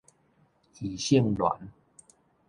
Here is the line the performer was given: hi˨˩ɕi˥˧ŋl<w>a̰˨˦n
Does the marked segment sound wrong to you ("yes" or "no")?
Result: no